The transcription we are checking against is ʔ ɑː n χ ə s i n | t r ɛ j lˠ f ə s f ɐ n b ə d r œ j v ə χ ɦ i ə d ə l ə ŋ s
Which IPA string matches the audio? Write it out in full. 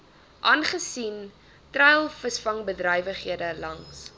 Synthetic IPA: ʔ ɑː n χ ə s i n | t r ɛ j lˠ f ə s f ɐ ŋ b ə d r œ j v ə χ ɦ i ə d ə l ɐ ŋ s

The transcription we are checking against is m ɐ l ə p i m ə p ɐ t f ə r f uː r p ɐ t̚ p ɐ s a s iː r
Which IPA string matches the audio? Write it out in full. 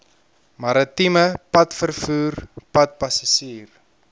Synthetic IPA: m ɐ ɾ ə t i m ə p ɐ t f ə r f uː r p ɐ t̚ p ɐ s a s iː r

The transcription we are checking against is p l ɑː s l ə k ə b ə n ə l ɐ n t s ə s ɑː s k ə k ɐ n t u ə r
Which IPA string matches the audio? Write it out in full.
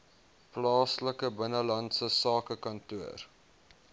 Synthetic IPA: p l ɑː s l ə k ə b ə n ə l ɐ n t s ə s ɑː k ə k ɐ n t u ə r

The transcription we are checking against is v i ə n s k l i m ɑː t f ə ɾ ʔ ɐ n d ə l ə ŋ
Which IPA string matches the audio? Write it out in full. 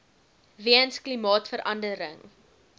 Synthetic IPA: v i ə n s k l i m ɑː t f ə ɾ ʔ ɐ n d ə ɾ ə ŋ

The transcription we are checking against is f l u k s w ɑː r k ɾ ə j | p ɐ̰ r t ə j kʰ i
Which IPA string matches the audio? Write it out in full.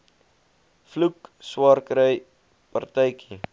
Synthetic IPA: f l u k s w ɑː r k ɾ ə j | p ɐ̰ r t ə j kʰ i

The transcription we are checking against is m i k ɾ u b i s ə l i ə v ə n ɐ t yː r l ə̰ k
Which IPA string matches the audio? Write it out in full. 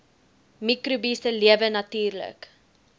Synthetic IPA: m i k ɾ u b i s ə l i ə v ə n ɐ t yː r l ə̰ k

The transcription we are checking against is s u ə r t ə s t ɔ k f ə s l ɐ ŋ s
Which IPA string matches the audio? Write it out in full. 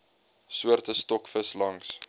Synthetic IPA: s u ə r t ə s t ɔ k f ə s l ɐ ŋ s

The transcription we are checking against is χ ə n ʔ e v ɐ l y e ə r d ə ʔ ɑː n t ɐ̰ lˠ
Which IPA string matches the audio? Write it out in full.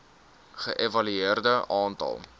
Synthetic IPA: χ ə ʔ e v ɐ l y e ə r d ə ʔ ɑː n t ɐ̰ lˠ

